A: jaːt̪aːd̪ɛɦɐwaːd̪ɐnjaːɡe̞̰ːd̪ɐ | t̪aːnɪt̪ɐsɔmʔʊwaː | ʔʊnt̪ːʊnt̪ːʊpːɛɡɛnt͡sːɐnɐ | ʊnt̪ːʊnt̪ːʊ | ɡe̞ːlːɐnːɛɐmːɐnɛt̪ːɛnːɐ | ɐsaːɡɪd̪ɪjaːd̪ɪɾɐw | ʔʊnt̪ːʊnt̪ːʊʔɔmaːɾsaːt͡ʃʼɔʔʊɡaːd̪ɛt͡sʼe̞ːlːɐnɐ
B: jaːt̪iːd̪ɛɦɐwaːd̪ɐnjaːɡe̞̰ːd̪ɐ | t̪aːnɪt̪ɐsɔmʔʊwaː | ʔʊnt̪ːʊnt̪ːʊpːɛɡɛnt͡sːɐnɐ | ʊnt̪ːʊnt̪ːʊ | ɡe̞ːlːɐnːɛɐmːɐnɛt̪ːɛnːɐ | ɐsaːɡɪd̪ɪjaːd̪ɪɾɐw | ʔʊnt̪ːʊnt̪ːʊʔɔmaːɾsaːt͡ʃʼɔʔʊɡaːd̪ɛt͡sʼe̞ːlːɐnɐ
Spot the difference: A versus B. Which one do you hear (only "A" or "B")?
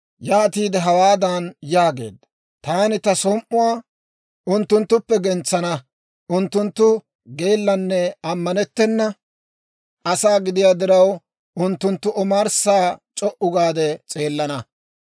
B